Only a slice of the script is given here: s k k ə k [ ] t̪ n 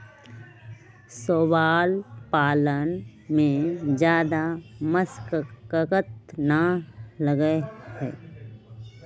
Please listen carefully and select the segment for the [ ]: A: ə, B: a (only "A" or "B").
A